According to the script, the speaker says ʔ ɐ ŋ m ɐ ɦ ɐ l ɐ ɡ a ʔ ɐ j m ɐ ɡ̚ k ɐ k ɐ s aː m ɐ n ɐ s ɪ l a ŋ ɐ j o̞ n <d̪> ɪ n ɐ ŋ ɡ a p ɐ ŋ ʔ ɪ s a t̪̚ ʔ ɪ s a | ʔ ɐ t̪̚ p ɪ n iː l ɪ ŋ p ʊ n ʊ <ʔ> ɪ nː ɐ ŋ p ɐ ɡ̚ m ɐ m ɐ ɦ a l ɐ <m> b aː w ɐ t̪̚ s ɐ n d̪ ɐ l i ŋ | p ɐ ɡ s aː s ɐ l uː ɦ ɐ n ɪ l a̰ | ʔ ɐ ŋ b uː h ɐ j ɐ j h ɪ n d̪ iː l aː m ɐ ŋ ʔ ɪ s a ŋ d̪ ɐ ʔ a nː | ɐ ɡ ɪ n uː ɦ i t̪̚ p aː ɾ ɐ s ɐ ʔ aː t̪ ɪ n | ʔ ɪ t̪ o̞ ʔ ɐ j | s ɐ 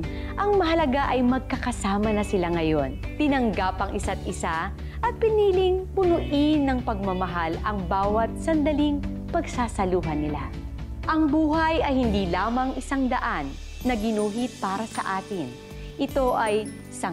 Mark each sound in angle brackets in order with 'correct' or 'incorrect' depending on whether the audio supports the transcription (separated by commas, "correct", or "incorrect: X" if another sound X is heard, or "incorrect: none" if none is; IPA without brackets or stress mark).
incorrect: t̪, correct, incorrect: ŋ